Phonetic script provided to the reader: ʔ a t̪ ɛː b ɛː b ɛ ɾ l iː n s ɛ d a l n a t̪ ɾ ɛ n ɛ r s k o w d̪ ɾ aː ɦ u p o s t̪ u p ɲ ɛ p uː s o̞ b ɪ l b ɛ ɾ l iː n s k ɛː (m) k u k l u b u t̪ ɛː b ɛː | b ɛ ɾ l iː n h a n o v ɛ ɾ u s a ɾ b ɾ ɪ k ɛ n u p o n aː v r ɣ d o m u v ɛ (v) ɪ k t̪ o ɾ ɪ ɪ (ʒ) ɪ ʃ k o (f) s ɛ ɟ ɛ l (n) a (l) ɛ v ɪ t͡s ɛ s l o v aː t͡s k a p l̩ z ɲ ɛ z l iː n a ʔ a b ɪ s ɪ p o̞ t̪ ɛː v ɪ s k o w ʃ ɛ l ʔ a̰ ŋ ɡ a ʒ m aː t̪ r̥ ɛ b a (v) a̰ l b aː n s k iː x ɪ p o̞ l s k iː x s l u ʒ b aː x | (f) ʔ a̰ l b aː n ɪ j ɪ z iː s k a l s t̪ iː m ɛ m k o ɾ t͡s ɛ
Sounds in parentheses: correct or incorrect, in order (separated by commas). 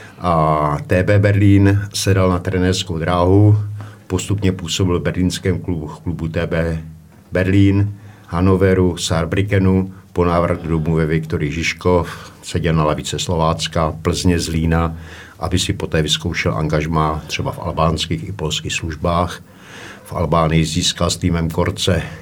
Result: correct, correct, correct, correct, correct, correct, incorrect, correct